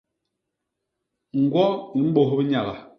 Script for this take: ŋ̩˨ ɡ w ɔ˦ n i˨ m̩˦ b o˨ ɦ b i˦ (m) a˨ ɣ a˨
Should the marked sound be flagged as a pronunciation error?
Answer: yes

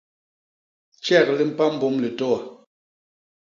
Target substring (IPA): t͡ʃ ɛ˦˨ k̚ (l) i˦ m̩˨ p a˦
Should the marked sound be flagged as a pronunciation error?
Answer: no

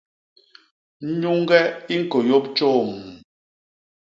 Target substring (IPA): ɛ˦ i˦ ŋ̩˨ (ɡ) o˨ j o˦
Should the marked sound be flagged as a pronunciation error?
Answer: yes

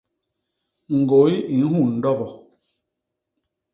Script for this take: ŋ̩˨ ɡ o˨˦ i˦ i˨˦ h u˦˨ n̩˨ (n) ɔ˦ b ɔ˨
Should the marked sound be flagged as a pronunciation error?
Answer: yes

